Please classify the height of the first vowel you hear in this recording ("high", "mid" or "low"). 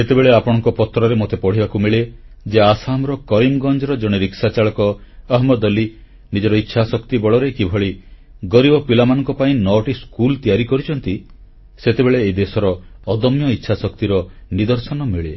mid